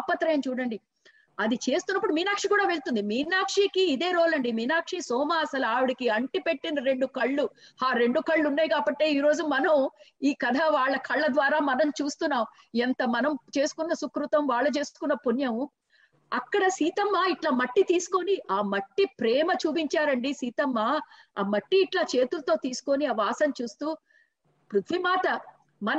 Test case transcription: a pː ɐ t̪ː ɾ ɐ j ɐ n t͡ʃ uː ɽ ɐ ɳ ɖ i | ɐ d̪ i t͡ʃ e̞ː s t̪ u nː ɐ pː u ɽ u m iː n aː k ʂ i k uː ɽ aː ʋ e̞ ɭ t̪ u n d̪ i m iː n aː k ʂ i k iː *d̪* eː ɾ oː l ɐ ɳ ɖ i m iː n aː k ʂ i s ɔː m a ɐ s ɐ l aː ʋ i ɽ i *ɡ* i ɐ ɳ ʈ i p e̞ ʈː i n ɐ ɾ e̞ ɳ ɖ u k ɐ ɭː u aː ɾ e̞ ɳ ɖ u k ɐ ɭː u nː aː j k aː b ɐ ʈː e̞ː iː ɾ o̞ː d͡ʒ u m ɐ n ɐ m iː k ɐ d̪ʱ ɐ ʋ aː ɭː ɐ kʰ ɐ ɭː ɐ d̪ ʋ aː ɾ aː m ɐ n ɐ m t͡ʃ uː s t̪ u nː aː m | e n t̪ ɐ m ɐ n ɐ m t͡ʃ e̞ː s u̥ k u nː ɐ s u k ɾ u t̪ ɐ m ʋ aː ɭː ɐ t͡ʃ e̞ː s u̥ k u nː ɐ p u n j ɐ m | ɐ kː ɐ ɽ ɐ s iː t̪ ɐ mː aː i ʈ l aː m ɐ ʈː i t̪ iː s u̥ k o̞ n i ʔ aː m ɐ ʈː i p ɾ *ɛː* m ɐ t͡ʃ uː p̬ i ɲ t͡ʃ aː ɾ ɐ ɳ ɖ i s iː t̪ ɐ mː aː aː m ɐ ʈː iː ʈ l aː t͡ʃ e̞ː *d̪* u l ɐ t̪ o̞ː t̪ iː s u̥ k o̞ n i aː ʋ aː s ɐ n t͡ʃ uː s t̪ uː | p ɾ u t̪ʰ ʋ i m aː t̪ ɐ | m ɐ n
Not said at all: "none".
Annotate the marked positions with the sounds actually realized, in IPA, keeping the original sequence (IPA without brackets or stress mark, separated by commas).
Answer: d̪, k, ɛː, t̪